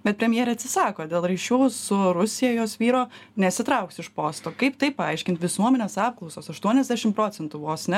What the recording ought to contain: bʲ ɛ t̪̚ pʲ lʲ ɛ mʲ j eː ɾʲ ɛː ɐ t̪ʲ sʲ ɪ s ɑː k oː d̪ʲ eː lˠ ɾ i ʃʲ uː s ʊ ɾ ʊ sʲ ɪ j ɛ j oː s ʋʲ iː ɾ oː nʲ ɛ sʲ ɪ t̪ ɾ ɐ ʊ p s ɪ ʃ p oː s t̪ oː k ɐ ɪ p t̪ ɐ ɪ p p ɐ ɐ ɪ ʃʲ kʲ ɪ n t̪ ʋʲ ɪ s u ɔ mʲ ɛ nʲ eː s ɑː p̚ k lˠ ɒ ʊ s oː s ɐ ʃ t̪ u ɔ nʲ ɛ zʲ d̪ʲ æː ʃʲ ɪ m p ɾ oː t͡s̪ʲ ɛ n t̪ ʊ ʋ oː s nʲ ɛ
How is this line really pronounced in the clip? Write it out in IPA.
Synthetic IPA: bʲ ɛ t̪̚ pʲ ɾʲ ɛ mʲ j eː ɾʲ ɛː ɐ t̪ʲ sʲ ɪ s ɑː k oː d̪ʲ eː lˠ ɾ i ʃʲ uː s ʊ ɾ ʊ sʲ ɪ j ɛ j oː s ʋʲ iː ɾ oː nʲ ɛ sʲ ɪ t̪ ɾ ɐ ʊ k s ɪ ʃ p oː s t̪ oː k ɐ ɪ p t̪ ɐ ɪ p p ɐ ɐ ɪ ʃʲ kʲ ɪ n t̪ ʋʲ ɪ s u ɔ mʲ ɛ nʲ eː s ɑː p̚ k lˠ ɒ ʊ s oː s ɐ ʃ t̪ u ɔ nʲ ɛ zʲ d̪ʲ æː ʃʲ ɪ m p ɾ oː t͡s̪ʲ ɛ n t̪ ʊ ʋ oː s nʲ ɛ